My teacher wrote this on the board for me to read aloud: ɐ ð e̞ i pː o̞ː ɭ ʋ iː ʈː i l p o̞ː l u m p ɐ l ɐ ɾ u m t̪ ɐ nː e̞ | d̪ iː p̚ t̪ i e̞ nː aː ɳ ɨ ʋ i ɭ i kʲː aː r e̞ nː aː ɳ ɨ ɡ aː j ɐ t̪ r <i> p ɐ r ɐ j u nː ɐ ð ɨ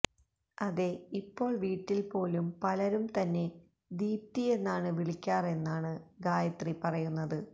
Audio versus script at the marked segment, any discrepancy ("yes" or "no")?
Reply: no